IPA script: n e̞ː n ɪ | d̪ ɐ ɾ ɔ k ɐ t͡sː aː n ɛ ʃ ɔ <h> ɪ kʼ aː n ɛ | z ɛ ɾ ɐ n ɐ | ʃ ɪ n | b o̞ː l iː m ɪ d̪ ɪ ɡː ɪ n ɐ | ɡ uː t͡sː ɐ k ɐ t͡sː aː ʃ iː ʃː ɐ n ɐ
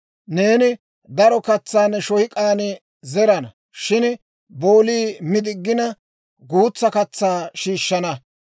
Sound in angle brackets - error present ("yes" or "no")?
no